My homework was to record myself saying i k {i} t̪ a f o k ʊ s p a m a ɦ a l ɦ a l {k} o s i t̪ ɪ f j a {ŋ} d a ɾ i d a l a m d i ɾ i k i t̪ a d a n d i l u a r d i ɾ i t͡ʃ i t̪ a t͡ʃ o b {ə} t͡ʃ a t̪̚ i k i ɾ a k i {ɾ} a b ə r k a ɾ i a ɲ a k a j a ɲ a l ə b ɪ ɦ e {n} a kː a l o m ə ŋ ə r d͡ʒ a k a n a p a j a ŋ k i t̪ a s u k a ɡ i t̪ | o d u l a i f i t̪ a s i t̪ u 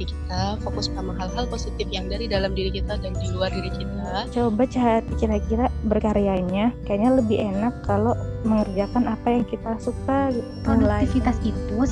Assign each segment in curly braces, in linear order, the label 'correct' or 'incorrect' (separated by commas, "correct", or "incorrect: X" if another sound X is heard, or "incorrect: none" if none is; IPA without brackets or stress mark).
correct, incorrect: p, correct, incorrect: a, correct, correct